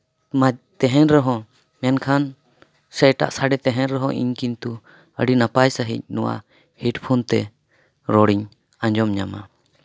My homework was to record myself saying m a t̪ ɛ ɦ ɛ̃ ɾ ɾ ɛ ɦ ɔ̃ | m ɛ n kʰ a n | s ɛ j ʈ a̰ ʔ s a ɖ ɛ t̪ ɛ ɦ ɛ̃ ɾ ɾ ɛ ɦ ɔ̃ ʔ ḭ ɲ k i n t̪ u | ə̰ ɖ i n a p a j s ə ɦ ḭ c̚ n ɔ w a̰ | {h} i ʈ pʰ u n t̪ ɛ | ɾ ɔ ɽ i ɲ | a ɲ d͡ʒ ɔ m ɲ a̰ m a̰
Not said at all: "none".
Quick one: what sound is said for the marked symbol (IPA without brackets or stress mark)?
h